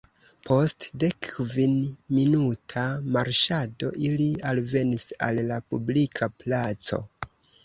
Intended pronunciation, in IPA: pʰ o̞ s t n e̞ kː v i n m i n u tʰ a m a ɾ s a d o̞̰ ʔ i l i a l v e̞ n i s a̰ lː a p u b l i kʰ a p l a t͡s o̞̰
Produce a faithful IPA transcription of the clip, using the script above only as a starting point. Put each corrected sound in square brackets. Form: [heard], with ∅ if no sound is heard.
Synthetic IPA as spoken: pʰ o̞ s t [d] e̞ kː v i n m i n u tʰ a m a ɾ [ʃ] a d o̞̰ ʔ i l i a l v e̞ n i s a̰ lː a p u b l i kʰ a p l a t͡s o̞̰